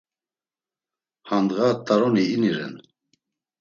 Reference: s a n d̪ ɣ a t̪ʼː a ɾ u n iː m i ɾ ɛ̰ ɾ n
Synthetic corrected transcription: h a n d̪ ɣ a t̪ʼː a ɾ ɔ n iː n i ɾ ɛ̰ n